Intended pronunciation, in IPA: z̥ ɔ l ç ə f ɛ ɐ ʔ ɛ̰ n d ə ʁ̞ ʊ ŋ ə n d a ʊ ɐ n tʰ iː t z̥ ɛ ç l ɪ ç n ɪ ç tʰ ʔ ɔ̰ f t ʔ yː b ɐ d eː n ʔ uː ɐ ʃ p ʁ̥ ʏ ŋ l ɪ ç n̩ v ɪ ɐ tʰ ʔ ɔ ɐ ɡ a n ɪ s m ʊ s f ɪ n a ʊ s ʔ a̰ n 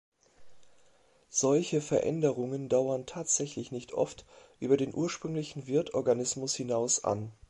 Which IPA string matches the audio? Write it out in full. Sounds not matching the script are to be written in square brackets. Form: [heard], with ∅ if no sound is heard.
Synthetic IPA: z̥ ɔ l ç ə f ɛ ɐ ʔ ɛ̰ n d ə ʁ̞ ʊ ŋ ə n d a ʊ ɐ n tʰ [aː] t z̥ ɛ ç l ɪ ç n ɪ ç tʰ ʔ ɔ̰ f t ʔ yː b ɐ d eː n ʔ uː ɐ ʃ p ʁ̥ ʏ ŋ l ɪ ç n̩ v ɪ ɐ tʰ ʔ ɔ ɐ ɡ a n ɪ s m ʊ s [h] ɪ n a ʊ s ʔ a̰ n